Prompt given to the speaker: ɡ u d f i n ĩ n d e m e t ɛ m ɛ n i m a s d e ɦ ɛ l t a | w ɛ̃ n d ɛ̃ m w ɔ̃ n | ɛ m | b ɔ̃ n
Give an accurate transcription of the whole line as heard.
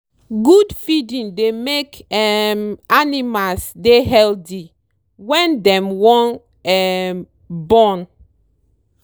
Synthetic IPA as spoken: ɡ u d f i d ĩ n d e m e k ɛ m a n i m a s d e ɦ ɛ l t i | w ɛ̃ n d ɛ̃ m w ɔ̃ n | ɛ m | b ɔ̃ n